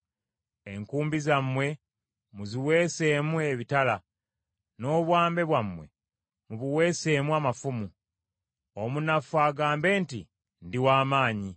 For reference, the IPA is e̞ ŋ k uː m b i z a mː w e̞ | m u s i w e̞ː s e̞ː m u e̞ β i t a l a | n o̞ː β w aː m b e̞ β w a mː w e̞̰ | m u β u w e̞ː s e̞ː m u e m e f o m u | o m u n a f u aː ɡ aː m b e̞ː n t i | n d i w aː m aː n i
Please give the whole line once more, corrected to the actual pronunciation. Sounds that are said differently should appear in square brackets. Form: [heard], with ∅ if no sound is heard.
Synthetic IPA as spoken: e̞ ŋ k uː m b i z a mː w e̞ | m u [z] i w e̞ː s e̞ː m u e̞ β i t a l a | n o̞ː β w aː m b e̞ β w a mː w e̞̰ | m u β u w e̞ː s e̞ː m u [a] m [a] f [u] m u | o m u n a f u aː ɡ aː m b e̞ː n t i | n d i w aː m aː [ɲ] i